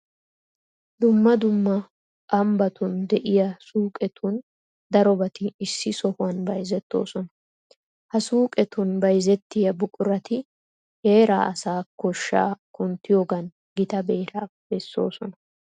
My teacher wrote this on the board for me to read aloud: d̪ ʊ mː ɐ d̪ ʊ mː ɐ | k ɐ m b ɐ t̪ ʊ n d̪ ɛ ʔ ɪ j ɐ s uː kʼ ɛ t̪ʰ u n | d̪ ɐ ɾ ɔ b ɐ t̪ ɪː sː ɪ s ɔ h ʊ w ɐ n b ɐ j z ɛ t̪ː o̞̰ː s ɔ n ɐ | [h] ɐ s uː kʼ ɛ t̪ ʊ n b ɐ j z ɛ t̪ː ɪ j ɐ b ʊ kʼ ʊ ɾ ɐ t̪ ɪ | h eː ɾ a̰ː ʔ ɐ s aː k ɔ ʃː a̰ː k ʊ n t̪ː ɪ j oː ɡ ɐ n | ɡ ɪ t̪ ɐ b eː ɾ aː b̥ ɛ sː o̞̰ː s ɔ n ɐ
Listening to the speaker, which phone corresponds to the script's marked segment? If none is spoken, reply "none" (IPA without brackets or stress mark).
h